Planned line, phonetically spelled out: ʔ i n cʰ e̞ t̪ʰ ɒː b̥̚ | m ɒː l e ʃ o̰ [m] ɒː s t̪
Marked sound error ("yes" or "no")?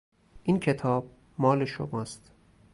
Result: no